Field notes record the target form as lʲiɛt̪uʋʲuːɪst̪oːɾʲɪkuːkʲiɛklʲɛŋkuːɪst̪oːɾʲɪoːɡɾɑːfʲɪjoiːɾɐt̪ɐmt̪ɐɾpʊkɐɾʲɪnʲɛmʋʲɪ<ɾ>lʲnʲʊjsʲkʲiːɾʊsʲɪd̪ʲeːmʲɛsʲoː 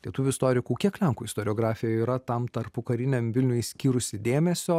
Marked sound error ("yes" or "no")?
yes